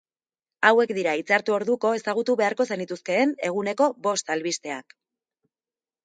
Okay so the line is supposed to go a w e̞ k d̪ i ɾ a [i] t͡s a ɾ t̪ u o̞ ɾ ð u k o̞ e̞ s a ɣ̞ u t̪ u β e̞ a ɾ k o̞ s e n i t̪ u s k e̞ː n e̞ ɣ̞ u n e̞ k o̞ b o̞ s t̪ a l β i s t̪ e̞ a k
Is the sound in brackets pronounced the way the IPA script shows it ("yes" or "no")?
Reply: yes